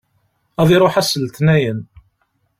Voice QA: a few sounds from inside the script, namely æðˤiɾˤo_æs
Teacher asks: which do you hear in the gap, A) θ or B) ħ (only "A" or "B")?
B